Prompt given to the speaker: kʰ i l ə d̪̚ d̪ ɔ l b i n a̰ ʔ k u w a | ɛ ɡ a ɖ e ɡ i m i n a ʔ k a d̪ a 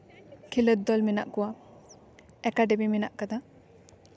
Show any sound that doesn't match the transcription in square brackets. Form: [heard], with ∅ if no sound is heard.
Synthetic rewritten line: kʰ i l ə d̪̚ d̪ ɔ l [m] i n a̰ ʔ k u w a | ɛ [k] a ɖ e [b] i m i n a ʔ k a d̪ a